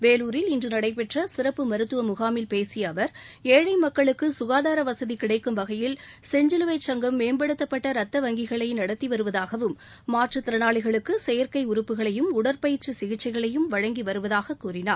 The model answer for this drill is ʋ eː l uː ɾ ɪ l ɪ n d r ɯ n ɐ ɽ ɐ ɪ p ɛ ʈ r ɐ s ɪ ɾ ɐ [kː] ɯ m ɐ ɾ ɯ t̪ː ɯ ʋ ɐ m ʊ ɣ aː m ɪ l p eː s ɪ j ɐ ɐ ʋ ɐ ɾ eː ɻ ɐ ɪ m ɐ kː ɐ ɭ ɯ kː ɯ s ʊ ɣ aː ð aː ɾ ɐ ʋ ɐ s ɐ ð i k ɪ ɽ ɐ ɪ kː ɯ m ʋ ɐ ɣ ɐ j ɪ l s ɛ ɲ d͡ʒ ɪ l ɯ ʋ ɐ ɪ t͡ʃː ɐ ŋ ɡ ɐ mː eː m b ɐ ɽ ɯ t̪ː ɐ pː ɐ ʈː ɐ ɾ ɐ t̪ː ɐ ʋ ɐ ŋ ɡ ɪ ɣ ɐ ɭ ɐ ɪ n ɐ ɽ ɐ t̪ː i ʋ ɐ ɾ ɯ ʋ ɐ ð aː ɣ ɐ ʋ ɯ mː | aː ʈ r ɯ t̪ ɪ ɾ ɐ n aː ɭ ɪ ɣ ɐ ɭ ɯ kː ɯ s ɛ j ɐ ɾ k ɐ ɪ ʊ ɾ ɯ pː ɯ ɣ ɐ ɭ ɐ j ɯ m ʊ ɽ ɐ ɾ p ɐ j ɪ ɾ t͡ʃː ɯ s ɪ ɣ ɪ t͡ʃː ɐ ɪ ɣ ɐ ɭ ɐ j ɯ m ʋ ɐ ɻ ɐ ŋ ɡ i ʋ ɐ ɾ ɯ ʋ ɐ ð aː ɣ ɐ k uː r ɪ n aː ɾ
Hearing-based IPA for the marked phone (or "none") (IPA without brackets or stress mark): pː